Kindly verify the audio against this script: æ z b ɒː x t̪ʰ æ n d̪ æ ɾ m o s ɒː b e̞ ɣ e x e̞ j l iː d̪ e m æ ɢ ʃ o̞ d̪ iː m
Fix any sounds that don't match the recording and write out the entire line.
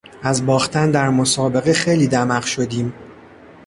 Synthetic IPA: æ z b ɒː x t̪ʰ æ n d̪ æ ɾ m o s ɒː b e̞ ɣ e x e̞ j l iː d̪ æ m æ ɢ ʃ o̞ d̪ iː m